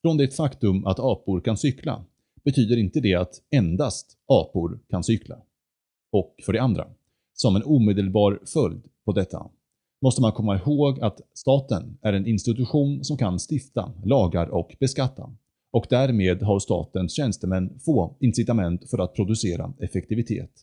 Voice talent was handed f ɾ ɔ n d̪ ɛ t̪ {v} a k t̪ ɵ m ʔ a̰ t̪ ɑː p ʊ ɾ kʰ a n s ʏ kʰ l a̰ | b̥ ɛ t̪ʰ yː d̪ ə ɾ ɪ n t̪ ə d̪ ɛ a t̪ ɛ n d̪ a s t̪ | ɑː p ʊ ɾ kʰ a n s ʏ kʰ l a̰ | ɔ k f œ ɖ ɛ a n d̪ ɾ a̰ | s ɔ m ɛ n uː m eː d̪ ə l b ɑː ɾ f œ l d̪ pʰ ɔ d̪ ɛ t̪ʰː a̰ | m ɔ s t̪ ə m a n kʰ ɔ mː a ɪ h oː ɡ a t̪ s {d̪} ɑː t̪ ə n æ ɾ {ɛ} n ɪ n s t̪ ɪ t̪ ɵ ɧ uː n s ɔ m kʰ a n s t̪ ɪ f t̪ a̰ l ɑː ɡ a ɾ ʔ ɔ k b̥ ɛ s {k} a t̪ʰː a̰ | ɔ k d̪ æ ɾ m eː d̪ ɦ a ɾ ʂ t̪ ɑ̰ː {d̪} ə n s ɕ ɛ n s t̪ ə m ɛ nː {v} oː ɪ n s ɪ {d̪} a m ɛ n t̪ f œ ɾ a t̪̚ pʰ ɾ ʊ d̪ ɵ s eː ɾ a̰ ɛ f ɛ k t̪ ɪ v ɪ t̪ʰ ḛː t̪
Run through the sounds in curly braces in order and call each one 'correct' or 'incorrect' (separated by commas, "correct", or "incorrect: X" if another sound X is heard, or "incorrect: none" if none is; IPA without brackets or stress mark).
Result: incorrect: f, incorrect: t̪, correct, correct, incorrect: t̪, incorrect: f, incorrect: t̪